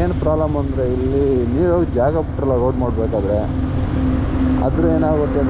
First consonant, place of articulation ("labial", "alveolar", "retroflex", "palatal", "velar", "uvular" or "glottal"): alveolar